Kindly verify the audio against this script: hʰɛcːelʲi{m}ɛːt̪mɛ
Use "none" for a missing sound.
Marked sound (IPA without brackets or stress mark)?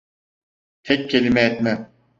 m